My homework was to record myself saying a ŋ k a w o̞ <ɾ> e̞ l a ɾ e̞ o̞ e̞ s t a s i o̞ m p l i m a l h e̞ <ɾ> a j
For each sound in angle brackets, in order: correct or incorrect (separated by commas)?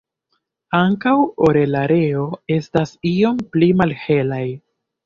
correct, incorrect